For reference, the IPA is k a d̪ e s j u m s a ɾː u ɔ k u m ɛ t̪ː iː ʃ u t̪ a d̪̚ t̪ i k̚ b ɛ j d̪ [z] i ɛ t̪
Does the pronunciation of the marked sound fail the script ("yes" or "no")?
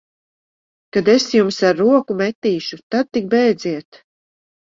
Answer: no